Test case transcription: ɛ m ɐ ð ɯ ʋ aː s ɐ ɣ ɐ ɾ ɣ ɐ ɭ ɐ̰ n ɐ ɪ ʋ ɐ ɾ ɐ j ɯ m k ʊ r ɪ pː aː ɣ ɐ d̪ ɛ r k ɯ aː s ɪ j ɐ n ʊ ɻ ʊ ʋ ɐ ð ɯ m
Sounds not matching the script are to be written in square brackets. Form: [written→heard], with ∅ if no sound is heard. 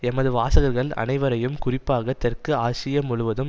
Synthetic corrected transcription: ɛ m ɐ ð ɯ ʋ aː s ɐ ɣ ɐ ɾ ɣ ɐ ɭ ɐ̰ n ɐ ɪ ʋ ɐ ɾ ɐ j ɯ m k ʊ r ɪ pː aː ɣ ɐ [d̪→t̪] ɛ r k ɯ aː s ɪ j ɐ [n→m] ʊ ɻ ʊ ʋ ɐ ð ɯ m